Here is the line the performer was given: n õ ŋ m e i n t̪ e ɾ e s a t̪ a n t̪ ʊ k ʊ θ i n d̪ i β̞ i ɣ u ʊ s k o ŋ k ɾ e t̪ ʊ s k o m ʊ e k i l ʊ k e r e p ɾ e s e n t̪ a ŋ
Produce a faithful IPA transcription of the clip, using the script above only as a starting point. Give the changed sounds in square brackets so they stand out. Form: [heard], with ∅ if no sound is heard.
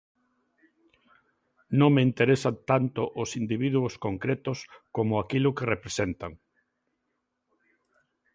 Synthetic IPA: n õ ŋ m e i n t̪ e ɾ e s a t̪ a n t̪ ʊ [ʔ] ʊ [s] i n d̪ i β̞ i [ð] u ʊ s k o ŋ k ɾ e t̪ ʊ s k o m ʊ [a] k i l ʊ k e r e p ɾ e s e n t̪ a ŋ